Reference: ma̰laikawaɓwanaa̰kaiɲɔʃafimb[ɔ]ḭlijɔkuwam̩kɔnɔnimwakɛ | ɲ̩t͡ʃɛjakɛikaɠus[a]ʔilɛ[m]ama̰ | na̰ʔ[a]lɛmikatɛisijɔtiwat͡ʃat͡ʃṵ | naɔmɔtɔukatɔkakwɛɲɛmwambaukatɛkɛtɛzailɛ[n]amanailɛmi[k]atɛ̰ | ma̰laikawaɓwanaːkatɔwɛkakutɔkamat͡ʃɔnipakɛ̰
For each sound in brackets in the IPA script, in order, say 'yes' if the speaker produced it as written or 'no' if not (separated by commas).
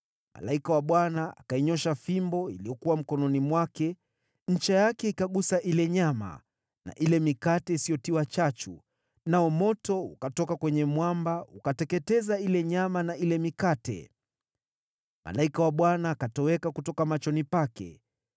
yes, yes, no, no, no, yes